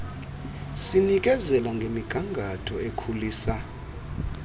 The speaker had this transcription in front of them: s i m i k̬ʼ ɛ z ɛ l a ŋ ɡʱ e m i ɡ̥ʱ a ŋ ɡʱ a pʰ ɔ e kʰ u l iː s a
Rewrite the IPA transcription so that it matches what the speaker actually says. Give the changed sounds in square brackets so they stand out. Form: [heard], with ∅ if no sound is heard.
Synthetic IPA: s i [n] i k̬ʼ ɛ z ɛ l a ŋ ɡʱ e m i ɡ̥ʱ a ŋ ɡʱ a [tʰ] ɔ e kʰ u l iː s a